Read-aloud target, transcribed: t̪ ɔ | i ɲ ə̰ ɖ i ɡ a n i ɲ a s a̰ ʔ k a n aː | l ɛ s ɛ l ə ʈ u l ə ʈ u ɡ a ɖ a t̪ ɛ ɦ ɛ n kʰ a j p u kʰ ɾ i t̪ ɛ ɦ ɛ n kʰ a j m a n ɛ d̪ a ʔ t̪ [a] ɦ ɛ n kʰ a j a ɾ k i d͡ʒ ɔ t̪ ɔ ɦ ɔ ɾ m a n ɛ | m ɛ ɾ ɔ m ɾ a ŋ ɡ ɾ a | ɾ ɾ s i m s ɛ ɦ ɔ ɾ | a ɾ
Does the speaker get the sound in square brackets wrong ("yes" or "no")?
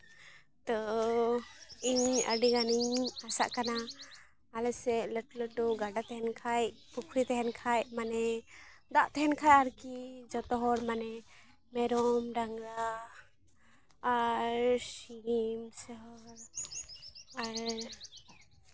yes